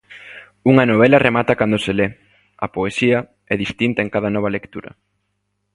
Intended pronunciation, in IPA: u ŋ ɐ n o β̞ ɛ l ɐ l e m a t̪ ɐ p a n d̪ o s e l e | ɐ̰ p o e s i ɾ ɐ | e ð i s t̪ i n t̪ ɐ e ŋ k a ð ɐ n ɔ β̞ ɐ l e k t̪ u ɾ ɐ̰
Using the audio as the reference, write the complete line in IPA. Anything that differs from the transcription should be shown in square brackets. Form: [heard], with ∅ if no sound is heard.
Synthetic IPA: u ŋ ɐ n o β̞ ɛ l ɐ [r] e m a t̪ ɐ [k] a n d̪ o s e l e | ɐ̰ p o e s i [∅] ɐ | [ɛ] ð i s t̪ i n t̪ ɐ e ŋ k a ð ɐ n ɔ β̞ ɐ l e k t̪ u ɾ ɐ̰